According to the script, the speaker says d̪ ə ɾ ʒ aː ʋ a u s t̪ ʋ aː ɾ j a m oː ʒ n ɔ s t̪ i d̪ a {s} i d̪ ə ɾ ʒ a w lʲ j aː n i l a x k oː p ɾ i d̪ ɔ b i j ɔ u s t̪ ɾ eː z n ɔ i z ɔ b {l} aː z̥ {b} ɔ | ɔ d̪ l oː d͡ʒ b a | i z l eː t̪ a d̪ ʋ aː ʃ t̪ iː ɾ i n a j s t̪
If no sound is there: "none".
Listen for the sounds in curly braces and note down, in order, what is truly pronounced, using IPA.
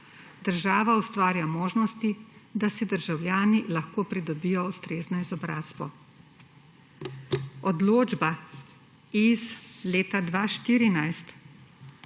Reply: s, ɾ, b

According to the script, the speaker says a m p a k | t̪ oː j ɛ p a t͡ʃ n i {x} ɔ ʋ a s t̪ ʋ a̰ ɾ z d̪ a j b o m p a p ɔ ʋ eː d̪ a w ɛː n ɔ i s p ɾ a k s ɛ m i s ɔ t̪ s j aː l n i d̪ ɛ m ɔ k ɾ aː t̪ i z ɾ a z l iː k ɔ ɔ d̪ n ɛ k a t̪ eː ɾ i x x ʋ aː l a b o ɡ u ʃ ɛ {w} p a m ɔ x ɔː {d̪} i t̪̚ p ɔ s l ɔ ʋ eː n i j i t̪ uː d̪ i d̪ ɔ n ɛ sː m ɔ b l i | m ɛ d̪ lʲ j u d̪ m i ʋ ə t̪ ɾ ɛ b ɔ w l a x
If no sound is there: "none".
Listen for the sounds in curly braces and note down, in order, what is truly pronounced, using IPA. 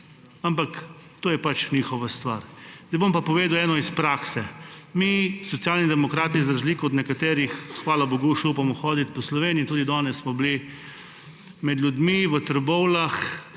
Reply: x, u, d̪

